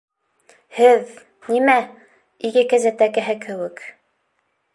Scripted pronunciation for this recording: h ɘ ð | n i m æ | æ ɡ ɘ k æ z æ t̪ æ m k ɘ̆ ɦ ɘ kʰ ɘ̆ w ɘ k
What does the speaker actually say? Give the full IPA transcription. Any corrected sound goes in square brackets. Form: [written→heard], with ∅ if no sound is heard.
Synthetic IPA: h ɘ ð | n i m æ | [æ→i] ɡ ɘ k æ z æ t̪ æ [m→∅] k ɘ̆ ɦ ɘ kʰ ɘ̆ w ɘ k